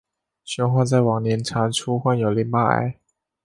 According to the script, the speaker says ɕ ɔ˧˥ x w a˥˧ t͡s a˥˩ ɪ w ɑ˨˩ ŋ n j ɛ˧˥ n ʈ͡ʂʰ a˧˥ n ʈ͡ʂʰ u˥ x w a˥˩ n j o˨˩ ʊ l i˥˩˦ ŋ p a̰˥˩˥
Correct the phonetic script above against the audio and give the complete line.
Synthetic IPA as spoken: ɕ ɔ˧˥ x w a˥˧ t͡s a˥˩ ɪ w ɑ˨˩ ŋ n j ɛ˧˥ n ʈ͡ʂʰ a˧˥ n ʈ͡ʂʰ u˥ x w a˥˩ n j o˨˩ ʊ l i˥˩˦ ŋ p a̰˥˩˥